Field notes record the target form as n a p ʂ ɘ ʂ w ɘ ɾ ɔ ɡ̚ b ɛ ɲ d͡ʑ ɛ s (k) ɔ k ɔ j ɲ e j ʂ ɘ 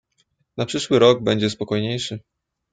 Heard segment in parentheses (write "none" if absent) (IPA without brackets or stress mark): p